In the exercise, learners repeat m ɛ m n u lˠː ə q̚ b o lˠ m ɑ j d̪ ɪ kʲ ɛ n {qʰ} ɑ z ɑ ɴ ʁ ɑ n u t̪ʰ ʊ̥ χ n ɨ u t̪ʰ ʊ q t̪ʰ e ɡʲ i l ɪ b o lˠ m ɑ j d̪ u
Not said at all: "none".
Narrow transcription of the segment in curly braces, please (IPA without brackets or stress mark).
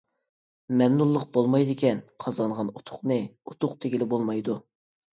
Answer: qʰ